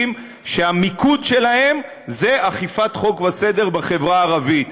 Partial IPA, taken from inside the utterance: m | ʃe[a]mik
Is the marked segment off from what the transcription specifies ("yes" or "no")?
no